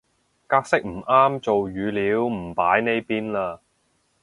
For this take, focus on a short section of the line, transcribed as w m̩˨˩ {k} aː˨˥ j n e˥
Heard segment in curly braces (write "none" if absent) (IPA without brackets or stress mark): p